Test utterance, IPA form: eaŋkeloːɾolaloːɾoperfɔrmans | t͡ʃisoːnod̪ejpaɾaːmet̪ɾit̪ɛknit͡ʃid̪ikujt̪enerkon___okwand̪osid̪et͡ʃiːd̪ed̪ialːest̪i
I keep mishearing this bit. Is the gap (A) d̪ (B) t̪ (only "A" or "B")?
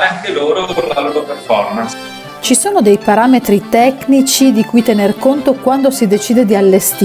B